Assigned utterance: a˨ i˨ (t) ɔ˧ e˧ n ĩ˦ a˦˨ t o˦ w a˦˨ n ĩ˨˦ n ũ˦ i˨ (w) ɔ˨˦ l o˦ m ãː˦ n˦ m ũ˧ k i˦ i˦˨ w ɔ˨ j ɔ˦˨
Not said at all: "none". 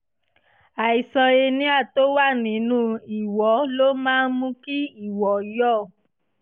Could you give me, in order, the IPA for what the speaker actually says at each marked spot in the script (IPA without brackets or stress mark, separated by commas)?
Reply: s, w